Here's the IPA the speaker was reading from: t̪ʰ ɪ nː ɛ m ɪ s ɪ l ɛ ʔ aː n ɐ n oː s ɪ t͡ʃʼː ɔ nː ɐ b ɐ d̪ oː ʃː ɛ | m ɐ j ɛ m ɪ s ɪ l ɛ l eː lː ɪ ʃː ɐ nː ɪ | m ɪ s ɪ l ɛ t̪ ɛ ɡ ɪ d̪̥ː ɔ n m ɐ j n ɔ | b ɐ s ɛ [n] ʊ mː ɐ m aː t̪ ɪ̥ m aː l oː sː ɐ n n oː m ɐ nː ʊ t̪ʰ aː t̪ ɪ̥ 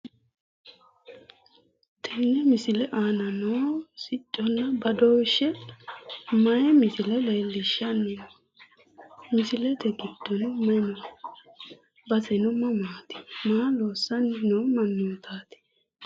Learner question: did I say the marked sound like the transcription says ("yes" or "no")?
yes